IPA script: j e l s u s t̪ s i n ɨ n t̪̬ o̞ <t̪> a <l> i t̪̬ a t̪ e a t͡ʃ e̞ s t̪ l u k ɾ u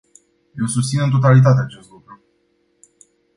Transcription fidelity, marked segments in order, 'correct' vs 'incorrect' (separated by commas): correct, correct